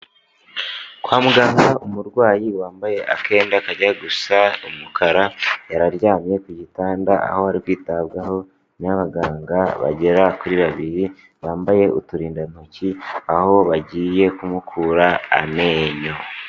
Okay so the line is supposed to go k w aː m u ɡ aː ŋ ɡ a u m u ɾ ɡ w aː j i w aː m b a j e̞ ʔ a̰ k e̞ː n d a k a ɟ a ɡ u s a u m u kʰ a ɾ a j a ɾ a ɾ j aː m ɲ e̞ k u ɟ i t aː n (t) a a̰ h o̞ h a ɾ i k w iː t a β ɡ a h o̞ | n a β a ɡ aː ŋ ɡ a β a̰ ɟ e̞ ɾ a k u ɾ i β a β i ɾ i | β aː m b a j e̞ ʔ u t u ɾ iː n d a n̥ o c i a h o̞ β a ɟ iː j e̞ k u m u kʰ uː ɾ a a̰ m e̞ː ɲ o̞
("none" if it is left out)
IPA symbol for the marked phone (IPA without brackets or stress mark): d